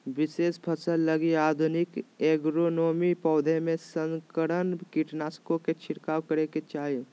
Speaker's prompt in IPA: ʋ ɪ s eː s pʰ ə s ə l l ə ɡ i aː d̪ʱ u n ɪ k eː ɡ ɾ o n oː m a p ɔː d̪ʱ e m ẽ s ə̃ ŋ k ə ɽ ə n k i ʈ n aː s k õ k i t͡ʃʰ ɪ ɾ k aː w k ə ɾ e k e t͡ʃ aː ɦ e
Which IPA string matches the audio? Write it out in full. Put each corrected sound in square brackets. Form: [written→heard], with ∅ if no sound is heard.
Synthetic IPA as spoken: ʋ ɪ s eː s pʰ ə s ə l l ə ɡ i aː d̪ʱ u n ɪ k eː ɡ ɾ o n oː m [a→i] p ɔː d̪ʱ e m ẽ s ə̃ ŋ k ə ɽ ə n k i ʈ n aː s k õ k [i→e] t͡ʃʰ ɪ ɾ k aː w k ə ɾ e k e t͡ʃ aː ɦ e